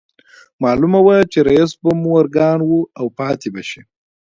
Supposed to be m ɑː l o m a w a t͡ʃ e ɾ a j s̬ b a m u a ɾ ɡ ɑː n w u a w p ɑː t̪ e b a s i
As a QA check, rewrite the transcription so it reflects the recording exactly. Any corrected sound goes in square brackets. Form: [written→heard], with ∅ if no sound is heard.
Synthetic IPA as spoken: m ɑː l [o→u] m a w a t͡ʃ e ɾ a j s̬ b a m u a ɾ ɡ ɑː n w u a w p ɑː t̪ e b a [s→ʃ] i